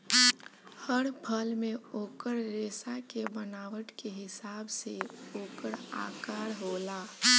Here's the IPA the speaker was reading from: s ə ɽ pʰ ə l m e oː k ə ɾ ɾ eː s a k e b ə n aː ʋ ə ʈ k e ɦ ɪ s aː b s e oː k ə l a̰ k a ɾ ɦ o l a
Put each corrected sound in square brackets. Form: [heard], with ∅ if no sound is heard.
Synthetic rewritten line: [h] ə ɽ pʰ ə l m e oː k ə ɾ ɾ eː s a k e b ə n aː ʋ ə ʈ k e ɦ ɪ s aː b s e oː k ə [ɾ] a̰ k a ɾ ɦ o l a